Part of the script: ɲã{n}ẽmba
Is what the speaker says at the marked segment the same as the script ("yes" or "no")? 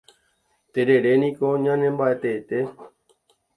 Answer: yes